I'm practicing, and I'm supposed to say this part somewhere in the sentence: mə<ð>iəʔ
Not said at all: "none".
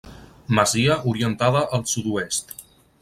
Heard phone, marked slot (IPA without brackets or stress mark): z